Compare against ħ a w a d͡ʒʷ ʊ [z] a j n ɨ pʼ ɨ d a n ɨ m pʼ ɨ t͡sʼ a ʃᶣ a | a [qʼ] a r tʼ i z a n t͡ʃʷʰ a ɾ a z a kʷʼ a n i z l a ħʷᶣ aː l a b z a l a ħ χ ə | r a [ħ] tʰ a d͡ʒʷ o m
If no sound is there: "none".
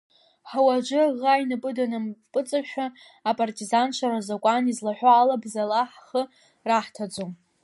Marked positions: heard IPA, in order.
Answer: ʁ, pʼ, ħ

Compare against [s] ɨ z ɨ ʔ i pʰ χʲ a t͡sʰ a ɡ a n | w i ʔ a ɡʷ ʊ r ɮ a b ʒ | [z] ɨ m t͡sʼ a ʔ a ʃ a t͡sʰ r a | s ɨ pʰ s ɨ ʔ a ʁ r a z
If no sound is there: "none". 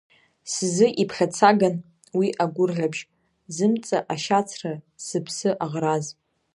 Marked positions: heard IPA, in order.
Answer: s, z

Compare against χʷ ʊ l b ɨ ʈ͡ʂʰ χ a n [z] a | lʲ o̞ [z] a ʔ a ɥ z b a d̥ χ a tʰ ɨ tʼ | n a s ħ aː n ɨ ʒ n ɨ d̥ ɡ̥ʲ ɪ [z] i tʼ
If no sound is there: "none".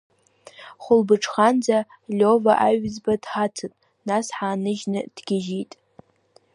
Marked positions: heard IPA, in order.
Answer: d͡z, v, ʒ

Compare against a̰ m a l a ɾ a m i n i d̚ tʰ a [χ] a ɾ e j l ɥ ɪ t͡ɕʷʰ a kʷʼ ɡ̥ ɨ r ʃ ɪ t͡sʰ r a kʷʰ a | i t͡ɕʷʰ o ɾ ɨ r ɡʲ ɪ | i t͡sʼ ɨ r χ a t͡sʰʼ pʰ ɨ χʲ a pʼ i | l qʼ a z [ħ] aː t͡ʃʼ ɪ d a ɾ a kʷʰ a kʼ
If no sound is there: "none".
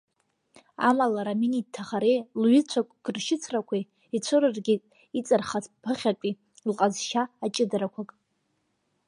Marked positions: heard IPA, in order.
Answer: χ, ʃ

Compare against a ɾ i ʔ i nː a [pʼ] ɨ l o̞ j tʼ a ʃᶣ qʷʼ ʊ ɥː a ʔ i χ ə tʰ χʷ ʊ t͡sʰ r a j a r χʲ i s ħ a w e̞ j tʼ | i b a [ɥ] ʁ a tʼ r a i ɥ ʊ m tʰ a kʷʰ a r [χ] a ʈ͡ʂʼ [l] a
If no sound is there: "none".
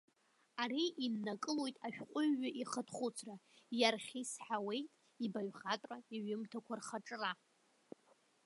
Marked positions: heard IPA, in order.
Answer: kʼ, ɥ, χ, r

